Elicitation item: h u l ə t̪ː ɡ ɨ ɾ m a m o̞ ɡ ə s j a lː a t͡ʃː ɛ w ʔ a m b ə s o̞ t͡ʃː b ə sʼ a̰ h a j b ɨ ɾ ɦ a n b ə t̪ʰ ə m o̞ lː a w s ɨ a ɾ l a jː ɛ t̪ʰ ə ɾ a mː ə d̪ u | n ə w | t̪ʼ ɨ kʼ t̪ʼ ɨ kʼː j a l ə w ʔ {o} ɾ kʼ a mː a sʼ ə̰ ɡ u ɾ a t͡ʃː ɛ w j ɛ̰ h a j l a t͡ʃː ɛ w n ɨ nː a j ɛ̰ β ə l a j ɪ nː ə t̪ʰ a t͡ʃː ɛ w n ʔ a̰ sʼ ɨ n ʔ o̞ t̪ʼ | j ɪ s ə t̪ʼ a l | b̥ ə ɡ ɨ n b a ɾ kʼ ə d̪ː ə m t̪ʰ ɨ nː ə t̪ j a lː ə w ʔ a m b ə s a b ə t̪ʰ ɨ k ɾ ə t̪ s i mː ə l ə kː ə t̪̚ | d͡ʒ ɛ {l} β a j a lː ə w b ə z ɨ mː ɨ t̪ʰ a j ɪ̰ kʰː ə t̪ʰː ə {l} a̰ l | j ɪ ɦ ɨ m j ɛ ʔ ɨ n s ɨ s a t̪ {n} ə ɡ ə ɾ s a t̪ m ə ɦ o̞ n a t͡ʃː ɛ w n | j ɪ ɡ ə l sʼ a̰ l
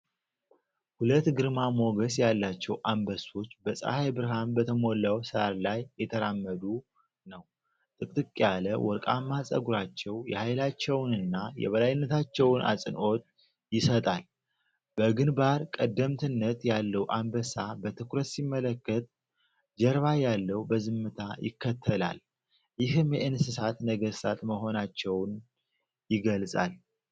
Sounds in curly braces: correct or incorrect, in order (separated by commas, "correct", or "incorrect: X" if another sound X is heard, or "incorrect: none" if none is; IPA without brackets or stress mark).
incorrect: ɔ, incorrect: ɾ, correct, correct